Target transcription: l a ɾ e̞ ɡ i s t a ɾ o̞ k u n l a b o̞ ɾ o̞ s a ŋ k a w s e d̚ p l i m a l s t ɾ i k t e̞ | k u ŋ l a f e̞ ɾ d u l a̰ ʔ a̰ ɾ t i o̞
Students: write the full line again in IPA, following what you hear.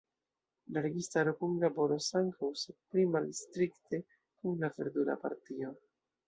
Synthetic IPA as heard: l a ɾ e̞ ɡ i s t a ɾ o̞ k u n l a b o̞ ɾ o̞ s a ŋ k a w s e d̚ p l i m a l s t ɾ i k t e̞ | k u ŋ l a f e̞ ɾ d u l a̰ p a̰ ɾ t i o̞

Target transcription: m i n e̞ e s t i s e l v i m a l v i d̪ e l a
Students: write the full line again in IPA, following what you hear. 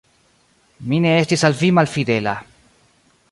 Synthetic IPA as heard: m i n e̞ e s t i s a l v i m a l f i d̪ e l a

